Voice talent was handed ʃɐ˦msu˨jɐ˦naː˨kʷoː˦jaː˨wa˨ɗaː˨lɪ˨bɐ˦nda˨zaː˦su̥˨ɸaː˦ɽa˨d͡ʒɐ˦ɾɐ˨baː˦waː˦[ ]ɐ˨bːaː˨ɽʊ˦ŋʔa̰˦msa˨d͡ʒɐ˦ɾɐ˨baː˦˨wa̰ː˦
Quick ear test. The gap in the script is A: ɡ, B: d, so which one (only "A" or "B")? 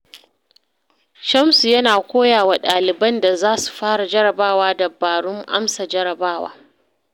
B